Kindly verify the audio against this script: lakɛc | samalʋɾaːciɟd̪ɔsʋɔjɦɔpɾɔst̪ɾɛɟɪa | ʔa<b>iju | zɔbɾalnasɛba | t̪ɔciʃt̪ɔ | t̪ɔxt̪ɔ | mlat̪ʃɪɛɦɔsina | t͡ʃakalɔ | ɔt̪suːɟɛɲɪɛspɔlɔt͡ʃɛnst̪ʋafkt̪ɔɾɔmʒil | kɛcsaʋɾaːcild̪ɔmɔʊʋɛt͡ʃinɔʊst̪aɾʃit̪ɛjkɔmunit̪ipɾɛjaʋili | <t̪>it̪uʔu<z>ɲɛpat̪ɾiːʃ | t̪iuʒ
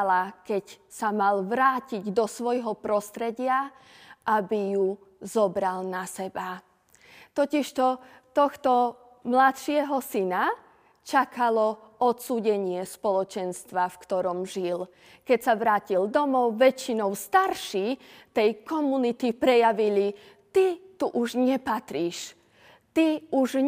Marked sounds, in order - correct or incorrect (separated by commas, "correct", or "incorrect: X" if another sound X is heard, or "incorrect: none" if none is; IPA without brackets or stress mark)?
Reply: correct, correct, incorrect: ʒ